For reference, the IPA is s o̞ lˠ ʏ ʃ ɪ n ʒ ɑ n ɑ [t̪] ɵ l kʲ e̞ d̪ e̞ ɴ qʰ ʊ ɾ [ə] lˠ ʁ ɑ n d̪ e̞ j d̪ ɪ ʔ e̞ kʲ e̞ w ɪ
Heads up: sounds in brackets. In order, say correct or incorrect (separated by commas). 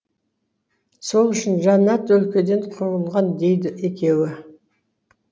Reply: correct, correct